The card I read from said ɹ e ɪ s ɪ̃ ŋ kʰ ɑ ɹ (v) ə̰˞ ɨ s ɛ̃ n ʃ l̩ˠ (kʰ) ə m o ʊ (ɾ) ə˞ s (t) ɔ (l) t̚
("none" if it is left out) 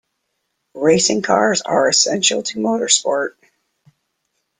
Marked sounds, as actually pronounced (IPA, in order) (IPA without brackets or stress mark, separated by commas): z, tʰ, ɾ, p, ɹ